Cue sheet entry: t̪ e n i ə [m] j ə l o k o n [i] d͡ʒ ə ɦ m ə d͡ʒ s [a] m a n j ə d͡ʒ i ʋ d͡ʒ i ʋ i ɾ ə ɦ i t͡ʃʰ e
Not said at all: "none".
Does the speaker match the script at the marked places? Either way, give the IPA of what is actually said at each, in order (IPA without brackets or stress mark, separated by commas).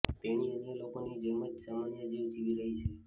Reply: n, i, a